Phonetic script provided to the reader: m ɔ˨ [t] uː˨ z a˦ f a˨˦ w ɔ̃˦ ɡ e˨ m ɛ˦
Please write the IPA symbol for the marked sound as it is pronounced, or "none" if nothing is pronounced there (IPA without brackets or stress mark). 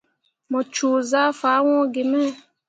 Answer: t͡ʃ